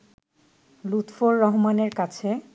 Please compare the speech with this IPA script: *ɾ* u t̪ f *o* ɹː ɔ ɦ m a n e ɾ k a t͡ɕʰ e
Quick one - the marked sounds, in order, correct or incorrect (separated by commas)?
incorrect, correct